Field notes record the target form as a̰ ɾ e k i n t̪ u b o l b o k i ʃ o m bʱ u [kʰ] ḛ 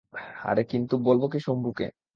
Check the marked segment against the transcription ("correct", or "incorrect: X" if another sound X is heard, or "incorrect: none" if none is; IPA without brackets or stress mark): incorrect: k